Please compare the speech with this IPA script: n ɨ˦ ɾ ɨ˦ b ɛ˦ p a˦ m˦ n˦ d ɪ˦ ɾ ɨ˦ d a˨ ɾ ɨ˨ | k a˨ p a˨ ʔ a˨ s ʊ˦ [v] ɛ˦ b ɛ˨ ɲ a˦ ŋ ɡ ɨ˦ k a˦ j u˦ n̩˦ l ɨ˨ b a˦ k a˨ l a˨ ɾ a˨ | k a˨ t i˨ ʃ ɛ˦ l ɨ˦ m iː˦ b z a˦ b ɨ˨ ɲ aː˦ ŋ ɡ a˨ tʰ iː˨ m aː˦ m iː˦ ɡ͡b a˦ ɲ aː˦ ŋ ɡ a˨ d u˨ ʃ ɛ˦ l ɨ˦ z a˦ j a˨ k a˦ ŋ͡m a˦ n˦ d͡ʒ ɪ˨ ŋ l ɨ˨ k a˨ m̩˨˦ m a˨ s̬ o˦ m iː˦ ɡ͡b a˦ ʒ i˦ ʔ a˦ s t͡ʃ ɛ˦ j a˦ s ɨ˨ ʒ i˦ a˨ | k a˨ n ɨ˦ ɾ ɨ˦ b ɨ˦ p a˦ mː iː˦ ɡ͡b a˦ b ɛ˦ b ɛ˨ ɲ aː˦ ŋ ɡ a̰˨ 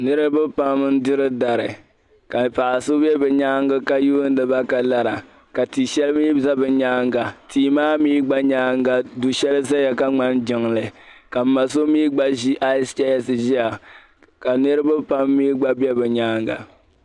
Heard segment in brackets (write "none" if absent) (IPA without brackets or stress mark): b